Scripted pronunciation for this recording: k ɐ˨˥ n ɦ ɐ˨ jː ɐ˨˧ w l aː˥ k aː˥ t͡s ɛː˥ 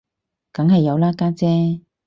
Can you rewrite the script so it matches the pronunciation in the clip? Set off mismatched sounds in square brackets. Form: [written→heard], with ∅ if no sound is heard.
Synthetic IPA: k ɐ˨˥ [n→ŋ] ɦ ɐ˨ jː ɐ˨˧ w l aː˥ k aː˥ t͡s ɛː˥